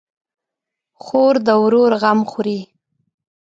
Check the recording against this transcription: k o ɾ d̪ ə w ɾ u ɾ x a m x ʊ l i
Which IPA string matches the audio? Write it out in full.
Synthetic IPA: x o ɾ d̪ ə w ɾ o ɾ ɣ a m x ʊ ɾ i